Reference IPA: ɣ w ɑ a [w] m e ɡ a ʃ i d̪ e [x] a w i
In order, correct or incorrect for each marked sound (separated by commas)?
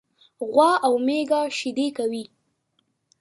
correct, incorrect